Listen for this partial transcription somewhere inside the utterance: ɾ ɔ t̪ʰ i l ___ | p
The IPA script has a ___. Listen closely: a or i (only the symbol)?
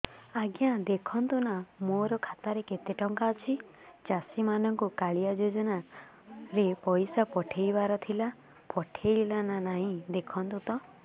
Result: a